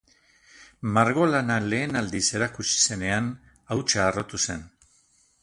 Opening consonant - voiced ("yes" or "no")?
yes